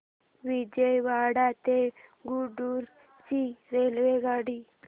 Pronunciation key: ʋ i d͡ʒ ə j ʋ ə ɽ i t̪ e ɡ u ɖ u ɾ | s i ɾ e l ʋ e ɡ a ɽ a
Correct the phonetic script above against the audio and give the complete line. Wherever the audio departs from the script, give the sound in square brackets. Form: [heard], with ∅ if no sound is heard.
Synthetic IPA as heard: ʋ i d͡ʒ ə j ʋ [a] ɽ [a] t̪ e ɡ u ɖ u ɾ | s i ɾ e l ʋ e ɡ a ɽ [i]